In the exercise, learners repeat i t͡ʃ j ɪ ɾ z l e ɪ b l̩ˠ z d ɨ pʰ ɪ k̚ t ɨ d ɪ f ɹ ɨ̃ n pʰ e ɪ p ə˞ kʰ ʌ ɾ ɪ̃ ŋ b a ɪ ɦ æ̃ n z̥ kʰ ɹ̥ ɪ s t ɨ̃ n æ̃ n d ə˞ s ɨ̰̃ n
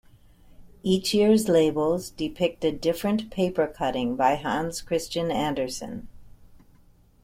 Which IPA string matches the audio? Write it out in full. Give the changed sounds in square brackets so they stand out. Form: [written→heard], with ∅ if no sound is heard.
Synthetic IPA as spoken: i t͡ʃ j ɪ [ɾ→ɹ] z l e ɪ b l̩ˠ z d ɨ pʰ ɪ k̚ t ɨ d ɪ f ɹ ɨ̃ n pʰ e ɪ p ə˞ kʰ ʌ ɾ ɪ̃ ŋ b a ɪ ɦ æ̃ n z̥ kʰ ɹ̥ ɪ s [t→t͡ʃ] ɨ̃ n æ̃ n d ə˞ s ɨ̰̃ n